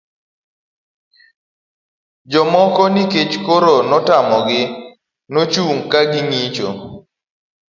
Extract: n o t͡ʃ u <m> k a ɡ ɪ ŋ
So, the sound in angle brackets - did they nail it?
no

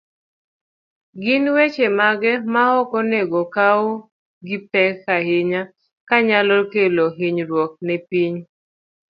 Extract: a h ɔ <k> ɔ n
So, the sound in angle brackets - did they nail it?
yes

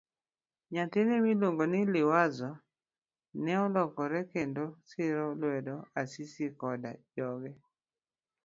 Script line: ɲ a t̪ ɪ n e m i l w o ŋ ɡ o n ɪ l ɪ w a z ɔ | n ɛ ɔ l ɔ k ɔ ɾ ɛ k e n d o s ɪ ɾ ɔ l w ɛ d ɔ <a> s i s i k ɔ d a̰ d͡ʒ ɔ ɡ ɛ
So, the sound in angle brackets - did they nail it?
yes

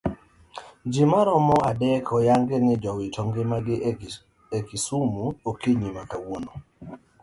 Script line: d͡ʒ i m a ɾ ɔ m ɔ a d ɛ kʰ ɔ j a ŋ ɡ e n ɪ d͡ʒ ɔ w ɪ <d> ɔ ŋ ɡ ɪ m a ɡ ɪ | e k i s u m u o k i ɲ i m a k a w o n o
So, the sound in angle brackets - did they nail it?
no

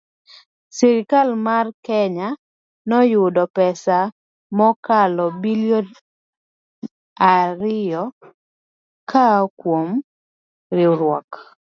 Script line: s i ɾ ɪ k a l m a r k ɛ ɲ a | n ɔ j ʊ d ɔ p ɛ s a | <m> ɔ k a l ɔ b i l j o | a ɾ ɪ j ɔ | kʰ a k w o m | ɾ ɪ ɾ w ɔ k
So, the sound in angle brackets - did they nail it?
yes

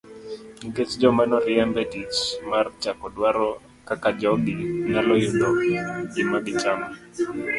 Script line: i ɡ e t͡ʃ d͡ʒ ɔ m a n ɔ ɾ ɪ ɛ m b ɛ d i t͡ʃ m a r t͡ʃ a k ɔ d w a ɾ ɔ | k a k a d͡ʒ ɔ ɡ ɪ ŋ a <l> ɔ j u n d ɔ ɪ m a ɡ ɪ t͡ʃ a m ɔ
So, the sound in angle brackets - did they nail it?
yes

